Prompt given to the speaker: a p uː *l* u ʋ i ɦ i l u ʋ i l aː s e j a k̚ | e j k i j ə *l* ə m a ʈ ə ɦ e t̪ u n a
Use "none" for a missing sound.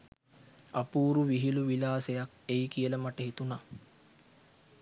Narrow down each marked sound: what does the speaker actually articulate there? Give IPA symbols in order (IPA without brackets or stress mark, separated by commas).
ɾ, l